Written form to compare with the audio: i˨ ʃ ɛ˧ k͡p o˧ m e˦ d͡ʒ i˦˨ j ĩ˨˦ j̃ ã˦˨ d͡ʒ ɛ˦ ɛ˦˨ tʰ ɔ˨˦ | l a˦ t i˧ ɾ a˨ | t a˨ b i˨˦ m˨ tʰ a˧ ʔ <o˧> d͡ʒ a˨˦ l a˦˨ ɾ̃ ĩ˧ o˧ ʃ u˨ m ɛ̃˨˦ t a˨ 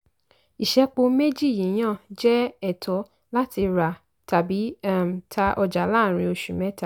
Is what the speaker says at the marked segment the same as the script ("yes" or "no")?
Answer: no